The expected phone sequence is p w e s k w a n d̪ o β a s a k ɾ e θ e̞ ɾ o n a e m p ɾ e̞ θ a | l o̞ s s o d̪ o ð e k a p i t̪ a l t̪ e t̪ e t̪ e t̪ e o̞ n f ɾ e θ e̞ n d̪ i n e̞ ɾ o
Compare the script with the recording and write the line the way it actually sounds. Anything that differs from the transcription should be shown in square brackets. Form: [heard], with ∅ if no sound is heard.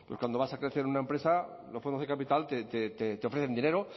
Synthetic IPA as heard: p w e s k w a n d̪ o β a s a k ɾ e θ e̞ ɾ [u] n a e m p ɾ e̞ [s] a | l o̞ s [f] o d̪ o ð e k a p i t̪ a l t̪ e t̪ e t̪ e t̪ e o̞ [∅] f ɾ e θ e̞ n d̪ i n e̞ ɾ o